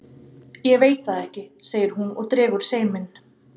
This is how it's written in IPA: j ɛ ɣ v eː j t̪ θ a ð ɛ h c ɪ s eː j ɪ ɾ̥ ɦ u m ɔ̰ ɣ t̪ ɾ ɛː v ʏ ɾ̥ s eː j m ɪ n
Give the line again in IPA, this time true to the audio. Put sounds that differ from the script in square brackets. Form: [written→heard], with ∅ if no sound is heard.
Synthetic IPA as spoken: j ɛ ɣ v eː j t̪ θ a ð ɛ h c ɪ s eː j ɪ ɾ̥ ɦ u [m→n] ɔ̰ ɣ t̪ ɾ ɛː [v→ɣ] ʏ ɾ̥ s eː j m ɪ n